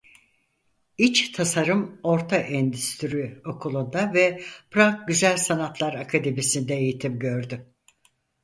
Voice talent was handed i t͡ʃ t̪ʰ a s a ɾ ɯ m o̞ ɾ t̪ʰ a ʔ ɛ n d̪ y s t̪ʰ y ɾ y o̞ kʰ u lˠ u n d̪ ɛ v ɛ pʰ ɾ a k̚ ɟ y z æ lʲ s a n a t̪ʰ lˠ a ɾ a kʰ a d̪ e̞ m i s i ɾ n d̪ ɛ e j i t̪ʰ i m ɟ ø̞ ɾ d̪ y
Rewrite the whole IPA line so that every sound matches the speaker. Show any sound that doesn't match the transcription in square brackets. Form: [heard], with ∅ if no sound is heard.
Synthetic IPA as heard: i t͡ʃ t̪ʰ a s a ɾ ɯ m o̞ ɾ t̪ʰ a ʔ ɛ n d̪ y s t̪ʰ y ɾ y o̞ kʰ u lˠ u n d̪ [a] v ɛ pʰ ɾ a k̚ ɟ y z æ lʲ s a n a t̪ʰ lˠ a ɾ a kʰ a d̪ e̞ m i s i [∅] n d̪ ɛ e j i t̪ʰ i m ɟ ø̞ ɾ d̪ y